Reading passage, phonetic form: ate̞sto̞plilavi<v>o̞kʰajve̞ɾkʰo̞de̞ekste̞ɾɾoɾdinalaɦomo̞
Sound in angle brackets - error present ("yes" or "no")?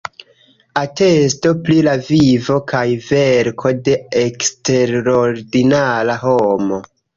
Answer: no